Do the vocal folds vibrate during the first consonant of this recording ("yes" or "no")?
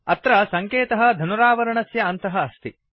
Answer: no